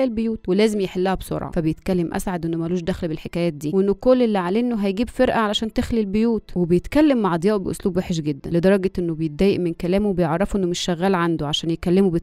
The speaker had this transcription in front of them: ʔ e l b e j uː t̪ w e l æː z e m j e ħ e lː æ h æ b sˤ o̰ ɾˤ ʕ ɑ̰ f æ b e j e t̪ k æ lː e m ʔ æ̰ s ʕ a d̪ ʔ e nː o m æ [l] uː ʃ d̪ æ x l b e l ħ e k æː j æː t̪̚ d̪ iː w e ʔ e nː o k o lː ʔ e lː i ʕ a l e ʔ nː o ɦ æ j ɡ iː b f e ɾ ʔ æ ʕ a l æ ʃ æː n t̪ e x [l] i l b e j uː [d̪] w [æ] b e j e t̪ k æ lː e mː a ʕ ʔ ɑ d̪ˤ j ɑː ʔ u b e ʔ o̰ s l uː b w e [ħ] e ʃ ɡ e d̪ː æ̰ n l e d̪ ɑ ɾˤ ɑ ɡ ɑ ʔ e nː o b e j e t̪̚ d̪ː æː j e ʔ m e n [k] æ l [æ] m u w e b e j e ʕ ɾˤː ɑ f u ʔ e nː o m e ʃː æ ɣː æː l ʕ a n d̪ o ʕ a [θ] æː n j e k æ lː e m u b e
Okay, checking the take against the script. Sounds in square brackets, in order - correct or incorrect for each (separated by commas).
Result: correct, correct, incorrect, incorrect, correct, correct, incorrect, incorrect